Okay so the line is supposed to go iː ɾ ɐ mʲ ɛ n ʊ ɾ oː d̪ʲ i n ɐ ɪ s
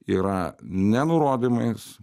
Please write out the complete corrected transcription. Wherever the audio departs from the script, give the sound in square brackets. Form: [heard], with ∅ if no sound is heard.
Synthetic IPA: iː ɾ ɐ [nʲ] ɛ n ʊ ɾ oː d̪ʲ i [m] ɐ ɪ s